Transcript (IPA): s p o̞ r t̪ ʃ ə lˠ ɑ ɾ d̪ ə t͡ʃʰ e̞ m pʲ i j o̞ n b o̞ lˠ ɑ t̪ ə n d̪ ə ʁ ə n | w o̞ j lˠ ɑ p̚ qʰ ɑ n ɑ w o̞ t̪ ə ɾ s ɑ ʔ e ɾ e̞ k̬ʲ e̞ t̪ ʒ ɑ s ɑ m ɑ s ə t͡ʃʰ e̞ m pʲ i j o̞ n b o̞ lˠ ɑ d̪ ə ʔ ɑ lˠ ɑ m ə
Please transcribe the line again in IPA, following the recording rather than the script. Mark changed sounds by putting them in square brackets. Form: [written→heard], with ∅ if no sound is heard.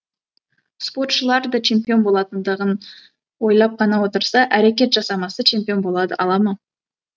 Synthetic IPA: s p o̞ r t̪ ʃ ə lˠ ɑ ɾ d̪ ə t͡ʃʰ e̞ m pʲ i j o̞ n b o̞ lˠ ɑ t̪ ə n d̪ ə ʁ ə n | w o̞ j lˠ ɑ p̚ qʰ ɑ n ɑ w o̞ t̪ ə ɾ s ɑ ʔ [e→æ] ɾ e̞ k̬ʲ e̞ t̪ ʒ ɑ s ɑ m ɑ s ə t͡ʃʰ e̞ m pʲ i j o̞ n b o̞ lˠ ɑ d̪ ə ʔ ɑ lˠ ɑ m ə